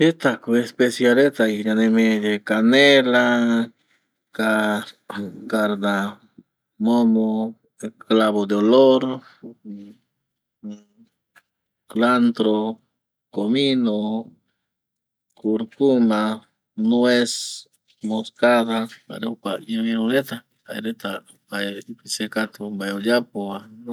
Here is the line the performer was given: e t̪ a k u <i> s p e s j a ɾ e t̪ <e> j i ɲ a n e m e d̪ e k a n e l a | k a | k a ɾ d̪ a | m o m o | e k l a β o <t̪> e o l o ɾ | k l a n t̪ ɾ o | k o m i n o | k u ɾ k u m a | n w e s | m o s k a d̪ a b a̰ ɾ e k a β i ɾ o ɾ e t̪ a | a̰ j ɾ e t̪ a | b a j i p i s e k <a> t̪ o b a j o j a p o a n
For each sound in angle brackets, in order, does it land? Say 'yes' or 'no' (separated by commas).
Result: no, no, no, yes